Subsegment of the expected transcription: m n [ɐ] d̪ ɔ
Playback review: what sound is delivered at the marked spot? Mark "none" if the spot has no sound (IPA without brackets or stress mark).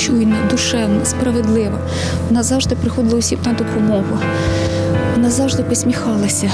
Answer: ɐ